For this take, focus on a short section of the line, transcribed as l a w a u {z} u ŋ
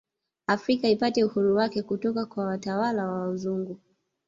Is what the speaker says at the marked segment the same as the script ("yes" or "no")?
yes